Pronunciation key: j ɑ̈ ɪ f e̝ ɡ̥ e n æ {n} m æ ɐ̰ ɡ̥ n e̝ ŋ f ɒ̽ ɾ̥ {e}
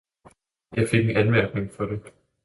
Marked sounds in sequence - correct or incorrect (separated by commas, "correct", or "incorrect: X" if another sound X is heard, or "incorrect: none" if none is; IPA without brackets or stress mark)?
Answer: correct, correct